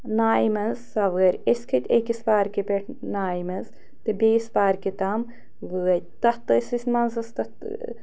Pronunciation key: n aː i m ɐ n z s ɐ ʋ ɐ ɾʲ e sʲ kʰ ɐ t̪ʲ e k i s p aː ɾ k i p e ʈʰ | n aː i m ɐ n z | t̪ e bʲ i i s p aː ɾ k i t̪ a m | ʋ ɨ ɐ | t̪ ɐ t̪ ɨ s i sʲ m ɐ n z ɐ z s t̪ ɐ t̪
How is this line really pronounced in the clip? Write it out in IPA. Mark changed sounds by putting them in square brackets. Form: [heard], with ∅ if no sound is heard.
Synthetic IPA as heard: n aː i m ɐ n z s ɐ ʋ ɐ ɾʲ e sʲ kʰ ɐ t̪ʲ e k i s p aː ɾ k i p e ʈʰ | n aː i m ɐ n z | t̪ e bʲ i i s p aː ɾ k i t̪ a m | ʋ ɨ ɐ | t̪ ɐ t̪ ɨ s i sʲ m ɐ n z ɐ [∅] s t̪ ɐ t̪